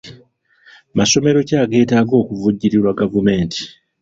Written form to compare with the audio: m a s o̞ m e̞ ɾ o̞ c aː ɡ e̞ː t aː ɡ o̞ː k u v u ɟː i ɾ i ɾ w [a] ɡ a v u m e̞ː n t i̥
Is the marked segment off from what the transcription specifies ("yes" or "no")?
no